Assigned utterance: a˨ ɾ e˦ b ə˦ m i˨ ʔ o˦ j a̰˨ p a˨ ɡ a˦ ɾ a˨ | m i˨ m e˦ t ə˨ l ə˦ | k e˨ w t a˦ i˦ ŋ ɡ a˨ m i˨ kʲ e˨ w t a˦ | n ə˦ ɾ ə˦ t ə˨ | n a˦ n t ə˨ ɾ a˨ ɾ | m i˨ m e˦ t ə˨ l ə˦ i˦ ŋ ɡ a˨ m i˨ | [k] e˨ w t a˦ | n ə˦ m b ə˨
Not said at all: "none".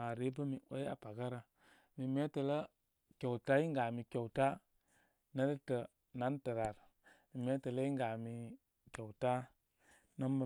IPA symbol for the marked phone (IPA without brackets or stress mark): k